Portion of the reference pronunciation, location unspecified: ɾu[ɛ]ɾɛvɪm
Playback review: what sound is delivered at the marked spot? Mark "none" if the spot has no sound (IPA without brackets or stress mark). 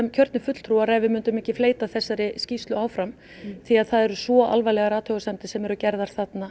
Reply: a